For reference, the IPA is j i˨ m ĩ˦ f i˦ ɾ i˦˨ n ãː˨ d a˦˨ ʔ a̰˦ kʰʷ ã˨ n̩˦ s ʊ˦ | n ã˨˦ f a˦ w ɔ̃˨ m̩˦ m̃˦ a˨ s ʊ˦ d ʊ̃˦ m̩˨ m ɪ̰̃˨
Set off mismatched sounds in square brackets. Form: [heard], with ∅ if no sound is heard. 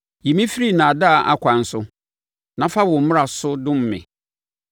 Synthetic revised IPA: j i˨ m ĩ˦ f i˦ ɾ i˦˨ n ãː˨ d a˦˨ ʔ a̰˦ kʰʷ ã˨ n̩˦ s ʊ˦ | n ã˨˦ f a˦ w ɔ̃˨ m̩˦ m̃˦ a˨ s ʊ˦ d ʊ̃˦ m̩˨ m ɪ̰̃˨

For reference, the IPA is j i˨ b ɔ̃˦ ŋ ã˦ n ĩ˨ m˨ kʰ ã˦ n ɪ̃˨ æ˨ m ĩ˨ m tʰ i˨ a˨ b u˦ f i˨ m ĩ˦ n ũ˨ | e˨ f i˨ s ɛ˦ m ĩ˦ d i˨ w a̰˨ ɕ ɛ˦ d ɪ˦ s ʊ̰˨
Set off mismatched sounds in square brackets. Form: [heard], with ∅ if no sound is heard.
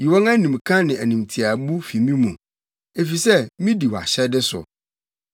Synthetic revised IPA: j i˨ [w] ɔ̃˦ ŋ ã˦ n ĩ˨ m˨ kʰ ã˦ n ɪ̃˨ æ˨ [n] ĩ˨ m tʰ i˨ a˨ b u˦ f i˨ m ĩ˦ [m] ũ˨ | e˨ f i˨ s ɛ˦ m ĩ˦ d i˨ w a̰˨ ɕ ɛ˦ d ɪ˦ s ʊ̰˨

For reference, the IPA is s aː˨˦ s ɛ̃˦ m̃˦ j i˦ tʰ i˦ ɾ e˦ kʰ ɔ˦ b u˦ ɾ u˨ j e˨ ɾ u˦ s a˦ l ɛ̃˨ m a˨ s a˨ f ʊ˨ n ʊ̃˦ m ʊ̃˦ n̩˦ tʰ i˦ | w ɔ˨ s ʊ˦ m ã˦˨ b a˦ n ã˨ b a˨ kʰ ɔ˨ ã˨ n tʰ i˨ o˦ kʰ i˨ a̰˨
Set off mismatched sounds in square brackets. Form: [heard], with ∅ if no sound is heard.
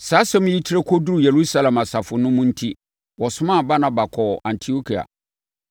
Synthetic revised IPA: s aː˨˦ s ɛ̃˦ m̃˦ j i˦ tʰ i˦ ɾ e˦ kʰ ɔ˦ [d] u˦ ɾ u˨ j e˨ ɾ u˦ s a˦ l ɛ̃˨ m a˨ s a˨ f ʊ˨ n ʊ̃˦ m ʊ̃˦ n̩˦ tʰ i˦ | w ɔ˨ s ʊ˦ m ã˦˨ b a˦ n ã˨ b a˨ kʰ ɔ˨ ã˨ n tʰ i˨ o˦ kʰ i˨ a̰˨

